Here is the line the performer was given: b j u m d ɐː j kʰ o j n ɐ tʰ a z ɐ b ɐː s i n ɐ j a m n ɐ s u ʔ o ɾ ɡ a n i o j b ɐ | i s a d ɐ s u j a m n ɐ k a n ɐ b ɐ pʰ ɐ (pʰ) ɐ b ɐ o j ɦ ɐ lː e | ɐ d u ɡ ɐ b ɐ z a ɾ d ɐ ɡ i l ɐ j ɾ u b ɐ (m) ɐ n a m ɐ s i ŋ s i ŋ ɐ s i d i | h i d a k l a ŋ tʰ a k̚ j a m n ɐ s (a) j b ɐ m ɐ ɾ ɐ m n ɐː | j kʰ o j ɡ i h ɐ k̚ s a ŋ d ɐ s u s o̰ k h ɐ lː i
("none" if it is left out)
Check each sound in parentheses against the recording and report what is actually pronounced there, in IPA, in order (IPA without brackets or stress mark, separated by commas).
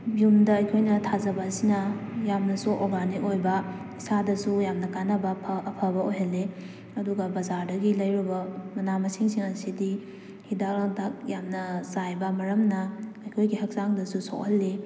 pʰ, m, a